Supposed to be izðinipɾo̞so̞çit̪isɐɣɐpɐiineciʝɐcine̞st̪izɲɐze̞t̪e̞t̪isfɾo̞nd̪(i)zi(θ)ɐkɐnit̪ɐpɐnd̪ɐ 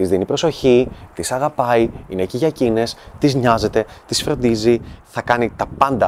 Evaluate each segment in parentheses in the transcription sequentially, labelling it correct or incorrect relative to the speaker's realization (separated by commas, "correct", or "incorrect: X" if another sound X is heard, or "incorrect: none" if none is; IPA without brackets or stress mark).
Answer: correct, correct